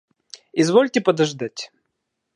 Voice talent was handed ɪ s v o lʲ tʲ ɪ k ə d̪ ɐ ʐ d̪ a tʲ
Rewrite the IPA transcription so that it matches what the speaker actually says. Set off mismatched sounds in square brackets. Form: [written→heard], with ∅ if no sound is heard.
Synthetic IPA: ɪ [s→z] v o lʲ tʲ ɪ [k→p] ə d̪ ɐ ʐ d̪ a tʲ